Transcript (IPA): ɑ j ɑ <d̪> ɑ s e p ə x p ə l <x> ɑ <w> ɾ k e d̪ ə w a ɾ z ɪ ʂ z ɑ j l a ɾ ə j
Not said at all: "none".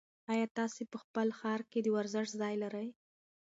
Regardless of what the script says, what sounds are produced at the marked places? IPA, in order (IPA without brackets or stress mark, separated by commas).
t̪, x, none